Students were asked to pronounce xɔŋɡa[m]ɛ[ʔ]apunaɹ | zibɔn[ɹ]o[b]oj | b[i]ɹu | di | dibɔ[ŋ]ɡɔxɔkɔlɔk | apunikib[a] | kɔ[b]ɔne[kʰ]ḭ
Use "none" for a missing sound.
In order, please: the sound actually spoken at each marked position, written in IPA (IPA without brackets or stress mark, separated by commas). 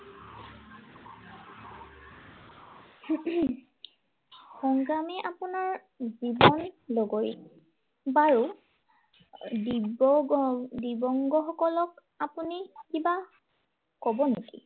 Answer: m, ʔ, l, ɡ, a, ŋ, a, b, k